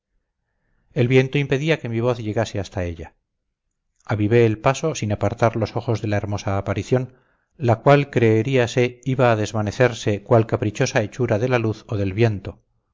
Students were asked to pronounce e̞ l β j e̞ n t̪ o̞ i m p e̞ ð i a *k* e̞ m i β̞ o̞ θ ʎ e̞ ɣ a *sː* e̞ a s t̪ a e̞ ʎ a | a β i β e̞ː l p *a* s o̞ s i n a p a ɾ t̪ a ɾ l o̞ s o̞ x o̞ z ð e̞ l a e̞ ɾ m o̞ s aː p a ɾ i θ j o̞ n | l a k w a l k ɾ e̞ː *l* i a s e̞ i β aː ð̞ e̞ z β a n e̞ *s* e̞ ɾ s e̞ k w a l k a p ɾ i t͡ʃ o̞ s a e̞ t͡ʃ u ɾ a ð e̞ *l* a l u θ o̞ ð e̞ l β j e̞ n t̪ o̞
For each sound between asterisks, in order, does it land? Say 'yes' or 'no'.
yes, no, yes, no, no, yes

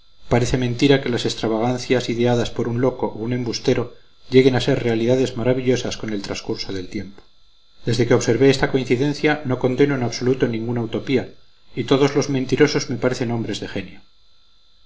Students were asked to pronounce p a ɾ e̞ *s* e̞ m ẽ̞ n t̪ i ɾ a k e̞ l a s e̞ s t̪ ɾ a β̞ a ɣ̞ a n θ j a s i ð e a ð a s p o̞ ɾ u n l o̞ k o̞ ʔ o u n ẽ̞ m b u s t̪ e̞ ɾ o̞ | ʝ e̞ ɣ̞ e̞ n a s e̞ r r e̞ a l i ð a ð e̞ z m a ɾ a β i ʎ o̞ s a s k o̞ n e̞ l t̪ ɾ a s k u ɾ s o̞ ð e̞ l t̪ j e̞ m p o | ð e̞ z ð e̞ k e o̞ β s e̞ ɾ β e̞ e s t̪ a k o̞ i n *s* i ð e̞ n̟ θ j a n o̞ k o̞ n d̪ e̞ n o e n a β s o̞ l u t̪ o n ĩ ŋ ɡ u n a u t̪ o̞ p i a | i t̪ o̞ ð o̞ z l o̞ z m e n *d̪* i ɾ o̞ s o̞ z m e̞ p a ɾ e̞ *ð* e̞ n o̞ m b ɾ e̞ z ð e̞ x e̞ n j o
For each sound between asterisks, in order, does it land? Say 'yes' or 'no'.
no, no, no, no

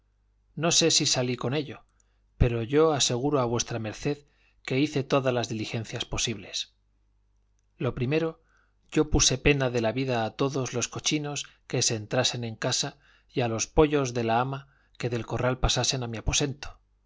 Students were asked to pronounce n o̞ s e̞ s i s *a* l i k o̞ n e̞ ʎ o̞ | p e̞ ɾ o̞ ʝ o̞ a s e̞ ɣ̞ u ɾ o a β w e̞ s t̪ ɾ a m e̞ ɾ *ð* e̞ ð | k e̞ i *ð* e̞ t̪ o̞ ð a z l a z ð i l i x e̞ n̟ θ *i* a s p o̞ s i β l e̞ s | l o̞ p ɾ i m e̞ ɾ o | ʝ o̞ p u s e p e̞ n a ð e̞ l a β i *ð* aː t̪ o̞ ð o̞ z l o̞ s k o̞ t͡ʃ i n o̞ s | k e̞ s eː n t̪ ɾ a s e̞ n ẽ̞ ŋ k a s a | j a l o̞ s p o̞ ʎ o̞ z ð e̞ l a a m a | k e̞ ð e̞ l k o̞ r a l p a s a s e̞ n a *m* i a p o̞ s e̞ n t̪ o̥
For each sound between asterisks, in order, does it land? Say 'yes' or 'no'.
yes, no, no, no, yes, yes

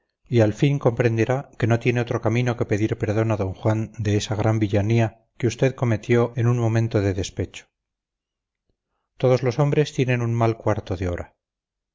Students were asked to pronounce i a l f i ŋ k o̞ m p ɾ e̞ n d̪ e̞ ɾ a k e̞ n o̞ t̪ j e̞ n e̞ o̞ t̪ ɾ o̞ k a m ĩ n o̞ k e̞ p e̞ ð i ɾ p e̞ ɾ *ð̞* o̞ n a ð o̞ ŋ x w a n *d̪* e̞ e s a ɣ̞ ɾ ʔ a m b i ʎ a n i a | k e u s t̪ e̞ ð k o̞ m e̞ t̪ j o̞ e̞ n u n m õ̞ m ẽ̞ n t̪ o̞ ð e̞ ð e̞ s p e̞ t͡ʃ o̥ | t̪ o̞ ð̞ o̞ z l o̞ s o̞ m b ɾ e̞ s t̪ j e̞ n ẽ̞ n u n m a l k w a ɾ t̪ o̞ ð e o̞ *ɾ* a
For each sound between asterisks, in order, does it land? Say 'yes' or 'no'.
yes, yes, yes

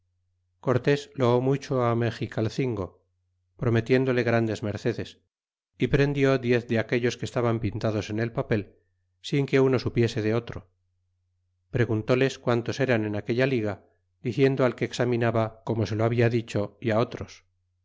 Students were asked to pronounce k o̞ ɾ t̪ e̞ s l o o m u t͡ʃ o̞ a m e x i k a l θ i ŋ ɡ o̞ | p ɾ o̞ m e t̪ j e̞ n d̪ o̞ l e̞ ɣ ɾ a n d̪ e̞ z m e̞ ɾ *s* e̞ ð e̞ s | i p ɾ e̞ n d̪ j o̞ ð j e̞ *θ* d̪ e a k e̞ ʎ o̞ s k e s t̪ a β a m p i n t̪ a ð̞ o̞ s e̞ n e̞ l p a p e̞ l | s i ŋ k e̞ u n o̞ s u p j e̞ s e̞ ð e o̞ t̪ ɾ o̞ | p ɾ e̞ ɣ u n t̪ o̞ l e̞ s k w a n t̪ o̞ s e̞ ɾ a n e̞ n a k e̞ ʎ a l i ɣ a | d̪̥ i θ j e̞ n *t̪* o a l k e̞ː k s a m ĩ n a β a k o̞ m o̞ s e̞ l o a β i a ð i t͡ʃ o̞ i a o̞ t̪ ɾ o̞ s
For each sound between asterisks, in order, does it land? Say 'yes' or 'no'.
no, yes, no

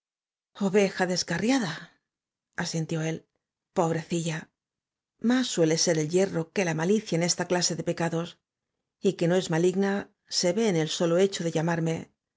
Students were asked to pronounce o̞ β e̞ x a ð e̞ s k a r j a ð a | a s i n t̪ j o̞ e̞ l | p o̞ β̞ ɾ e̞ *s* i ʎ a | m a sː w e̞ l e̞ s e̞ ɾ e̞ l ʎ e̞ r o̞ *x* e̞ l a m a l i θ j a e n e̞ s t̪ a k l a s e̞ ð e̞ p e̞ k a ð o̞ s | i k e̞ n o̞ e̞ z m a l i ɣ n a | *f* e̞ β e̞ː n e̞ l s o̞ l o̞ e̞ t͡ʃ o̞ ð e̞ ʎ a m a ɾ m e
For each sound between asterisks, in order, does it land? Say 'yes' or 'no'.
no, no, no

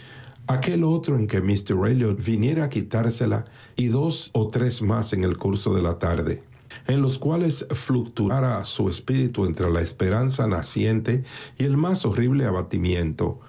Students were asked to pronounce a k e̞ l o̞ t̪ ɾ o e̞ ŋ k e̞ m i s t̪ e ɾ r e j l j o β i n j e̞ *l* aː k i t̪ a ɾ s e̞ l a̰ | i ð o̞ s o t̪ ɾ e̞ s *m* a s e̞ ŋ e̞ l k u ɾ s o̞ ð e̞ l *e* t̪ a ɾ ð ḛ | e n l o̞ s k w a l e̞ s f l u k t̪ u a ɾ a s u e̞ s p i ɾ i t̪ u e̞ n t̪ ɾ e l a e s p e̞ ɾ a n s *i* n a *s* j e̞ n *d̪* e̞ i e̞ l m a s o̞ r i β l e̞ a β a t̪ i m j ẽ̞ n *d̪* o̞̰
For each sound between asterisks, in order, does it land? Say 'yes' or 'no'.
no, yes, no, no, yes, no, no

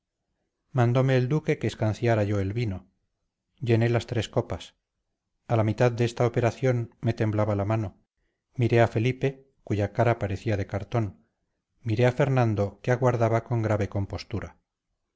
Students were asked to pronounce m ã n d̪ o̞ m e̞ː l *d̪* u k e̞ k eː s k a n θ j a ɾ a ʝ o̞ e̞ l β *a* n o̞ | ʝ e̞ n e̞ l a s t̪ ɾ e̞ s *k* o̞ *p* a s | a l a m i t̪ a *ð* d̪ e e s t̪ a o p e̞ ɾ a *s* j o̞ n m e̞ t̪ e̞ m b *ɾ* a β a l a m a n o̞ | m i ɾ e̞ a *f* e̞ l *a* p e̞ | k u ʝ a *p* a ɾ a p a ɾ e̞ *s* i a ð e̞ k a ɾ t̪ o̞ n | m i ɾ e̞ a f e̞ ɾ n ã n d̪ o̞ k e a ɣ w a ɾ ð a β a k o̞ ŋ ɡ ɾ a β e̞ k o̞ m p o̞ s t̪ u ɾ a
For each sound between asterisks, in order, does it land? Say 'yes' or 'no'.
yes, no, yes, yes, yes, no, no, yes, no, no, no

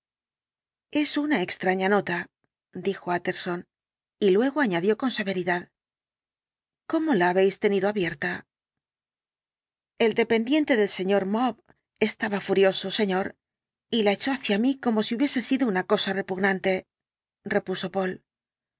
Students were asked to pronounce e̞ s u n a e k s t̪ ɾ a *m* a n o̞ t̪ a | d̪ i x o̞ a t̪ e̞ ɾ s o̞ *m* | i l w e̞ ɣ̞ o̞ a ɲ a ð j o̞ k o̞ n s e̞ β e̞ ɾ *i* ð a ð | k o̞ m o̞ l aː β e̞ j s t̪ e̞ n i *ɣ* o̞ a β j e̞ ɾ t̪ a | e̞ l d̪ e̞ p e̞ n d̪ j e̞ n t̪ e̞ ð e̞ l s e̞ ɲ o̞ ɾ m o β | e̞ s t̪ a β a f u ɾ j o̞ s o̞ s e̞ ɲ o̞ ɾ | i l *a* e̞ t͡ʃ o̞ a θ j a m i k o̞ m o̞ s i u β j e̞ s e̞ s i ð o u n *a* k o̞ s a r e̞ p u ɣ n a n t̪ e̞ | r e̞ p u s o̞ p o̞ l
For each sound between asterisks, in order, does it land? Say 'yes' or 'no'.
no, no, yes, no, yes, yes

